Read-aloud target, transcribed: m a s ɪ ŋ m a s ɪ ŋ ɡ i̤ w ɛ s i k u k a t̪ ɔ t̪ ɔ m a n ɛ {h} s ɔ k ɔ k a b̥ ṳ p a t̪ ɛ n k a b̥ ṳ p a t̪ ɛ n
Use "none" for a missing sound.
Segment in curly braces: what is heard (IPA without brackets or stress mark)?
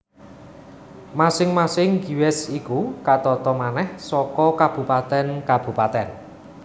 h